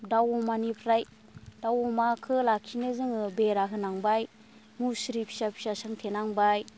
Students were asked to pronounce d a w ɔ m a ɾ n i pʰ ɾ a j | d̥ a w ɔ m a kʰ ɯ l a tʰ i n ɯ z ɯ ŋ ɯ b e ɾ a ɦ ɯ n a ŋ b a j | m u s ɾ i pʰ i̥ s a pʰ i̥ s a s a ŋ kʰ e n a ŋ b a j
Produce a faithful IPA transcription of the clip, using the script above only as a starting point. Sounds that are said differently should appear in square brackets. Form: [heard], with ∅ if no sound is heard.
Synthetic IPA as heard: d a w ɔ m a [∅] n i pʰ ɾ a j | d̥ a w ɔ m a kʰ ɯ l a [kʰ] i n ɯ z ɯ ŋ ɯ b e ɾ a ɦ ɯ n a ŋ b a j | m u s ɾ i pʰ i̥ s a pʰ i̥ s a s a ŋ [tʰ] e n a ŋ b a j